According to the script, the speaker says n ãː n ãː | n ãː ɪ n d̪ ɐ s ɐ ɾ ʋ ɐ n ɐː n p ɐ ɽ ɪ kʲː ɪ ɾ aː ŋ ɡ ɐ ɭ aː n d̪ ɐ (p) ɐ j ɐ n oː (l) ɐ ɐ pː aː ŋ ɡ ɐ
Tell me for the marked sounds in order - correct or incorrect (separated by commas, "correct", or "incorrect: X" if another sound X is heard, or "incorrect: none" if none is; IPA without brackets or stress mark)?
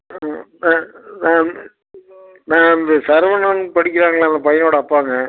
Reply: correct, incorrect: ɽ